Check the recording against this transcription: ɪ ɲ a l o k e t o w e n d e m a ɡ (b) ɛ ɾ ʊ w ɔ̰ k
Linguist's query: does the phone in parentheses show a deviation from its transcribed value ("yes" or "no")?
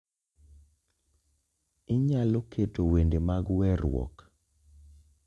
yes